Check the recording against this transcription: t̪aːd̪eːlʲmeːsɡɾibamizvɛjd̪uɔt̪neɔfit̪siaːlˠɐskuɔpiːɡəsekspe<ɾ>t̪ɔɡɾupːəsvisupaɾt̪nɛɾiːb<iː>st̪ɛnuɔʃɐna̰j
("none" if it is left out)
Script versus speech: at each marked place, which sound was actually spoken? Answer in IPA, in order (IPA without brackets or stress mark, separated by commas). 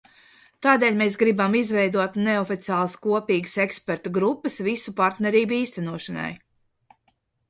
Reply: ɾ, iː